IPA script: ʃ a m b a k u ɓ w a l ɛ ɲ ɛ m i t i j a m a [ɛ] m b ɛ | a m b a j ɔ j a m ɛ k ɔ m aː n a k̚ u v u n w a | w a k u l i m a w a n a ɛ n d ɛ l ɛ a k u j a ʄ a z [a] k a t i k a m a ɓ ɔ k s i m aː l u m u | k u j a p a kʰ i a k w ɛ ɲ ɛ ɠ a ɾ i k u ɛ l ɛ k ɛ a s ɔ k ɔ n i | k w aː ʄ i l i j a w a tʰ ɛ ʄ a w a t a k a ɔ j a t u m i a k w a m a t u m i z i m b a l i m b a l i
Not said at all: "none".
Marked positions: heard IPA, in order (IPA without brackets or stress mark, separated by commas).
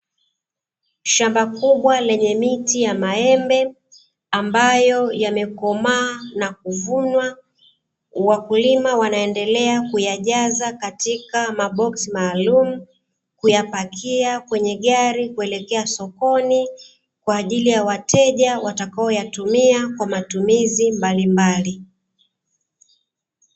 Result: ɛ, a